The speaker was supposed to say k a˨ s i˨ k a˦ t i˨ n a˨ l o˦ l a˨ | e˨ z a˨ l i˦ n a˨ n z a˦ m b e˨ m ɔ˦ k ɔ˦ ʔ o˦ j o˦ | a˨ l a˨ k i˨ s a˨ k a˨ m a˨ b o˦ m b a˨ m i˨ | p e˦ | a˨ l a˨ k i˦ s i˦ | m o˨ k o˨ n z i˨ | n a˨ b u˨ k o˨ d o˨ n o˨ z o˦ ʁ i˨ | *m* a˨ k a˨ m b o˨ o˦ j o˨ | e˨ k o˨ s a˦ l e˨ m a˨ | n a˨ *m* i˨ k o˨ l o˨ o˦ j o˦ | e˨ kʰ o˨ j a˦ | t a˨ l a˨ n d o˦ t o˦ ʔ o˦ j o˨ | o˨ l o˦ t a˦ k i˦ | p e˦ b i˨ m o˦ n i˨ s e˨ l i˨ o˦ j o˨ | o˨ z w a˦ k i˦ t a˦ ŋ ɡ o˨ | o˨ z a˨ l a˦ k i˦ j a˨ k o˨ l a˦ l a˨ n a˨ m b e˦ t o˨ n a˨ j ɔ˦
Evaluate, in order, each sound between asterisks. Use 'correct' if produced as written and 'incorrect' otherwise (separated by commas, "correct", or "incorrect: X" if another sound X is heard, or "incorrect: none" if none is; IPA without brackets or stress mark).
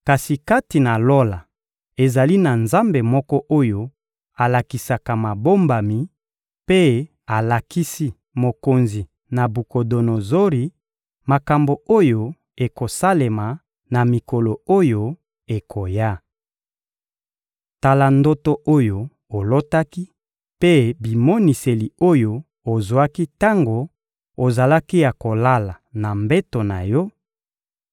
correct, correct